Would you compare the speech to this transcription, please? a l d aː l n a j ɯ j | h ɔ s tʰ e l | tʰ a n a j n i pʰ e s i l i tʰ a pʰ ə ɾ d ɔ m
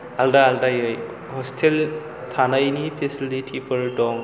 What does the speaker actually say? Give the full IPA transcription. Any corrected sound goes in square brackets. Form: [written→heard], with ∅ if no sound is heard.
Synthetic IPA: a l d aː l [n→d] a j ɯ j | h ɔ s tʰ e l | tʰ a n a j n i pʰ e s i l i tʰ [a→i] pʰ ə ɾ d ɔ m